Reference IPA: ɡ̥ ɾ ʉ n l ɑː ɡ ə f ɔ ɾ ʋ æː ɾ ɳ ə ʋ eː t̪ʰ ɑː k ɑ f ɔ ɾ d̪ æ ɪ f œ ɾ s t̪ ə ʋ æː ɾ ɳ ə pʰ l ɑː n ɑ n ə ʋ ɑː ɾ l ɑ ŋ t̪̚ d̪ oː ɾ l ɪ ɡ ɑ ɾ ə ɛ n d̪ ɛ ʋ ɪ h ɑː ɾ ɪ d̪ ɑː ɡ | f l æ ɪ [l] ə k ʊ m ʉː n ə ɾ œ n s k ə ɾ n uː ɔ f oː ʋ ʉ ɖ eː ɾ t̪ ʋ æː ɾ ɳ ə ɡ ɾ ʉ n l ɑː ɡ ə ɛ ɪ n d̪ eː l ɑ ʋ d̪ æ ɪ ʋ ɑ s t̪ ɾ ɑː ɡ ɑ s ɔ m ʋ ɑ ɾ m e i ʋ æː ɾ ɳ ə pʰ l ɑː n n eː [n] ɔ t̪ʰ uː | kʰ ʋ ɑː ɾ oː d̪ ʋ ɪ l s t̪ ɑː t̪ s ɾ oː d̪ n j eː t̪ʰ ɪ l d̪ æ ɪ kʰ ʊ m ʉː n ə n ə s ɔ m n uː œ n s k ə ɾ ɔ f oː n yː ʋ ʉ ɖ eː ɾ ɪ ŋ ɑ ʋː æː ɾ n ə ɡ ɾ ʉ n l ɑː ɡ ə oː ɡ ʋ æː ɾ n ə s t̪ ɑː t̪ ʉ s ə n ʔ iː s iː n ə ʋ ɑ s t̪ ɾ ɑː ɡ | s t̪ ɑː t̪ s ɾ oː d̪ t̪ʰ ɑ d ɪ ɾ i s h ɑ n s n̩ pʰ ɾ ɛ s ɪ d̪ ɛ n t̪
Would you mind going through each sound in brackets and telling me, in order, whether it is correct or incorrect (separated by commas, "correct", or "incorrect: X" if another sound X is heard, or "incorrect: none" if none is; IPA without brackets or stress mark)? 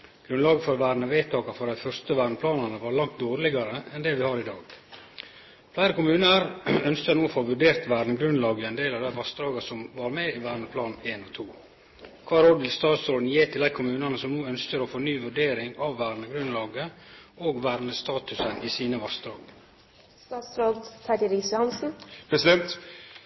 incorrect: ɾ, correct